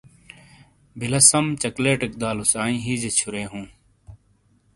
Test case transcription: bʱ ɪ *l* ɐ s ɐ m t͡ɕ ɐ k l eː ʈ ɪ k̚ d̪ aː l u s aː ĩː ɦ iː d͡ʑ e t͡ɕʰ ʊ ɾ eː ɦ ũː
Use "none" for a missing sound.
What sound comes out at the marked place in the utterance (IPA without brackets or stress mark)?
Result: l